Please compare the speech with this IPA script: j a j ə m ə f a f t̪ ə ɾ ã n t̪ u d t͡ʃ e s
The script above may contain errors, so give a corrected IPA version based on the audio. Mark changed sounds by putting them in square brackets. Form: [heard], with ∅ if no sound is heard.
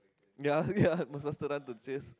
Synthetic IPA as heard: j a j [a] m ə [s] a [s] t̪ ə ɾ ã n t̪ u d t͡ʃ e s